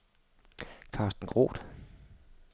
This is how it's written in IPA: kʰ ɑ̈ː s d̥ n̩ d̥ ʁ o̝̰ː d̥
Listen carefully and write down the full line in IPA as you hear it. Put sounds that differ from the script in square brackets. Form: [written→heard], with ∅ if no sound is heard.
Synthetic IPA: kʰ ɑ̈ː s d̥ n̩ [d̥→ɡ̥] ʁ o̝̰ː d̥